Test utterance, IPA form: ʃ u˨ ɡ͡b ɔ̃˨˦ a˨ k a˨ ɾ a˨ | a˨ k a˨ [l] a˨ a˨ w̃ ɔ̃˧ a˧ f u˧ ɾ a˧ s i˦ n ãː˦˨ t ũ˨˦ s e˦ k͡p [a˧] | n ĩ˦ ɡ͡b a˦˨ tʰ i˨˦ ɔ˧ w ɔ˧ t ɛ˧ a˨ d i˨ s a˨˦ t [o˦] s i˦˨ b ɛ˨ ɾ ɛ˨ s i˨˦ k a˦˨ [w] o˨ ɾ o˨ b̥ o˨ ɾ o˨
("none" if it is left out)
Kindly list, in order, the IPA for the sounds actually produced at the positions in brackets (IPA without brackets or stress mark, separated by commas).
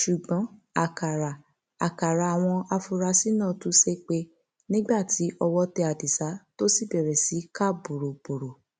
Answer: ɾ, e˧, o˦, b